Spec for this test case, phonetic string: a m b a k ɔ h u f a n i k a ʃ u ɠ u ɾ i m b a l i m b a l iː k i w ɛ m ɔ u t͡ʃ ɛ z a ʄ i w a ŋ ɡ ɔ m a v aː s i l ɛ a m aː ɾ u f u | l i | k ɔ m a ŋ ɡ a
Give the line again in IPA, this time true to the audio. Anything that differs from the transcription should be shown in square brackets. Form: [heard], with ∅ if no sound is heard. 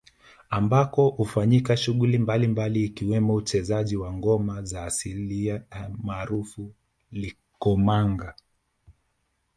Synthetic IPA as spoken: a m b a k ɔ h u f a [ɲ] i k a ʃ u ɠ u [l] i m b a l i m b a l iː k i w ɛ m ɔ u t͡ʃ ɛ z a ʄ i w a ŋ ɡ ɔ m a [z] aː s i l [i] a m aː ɾ u f u | l i | k ɔ m a ŋ ɡ a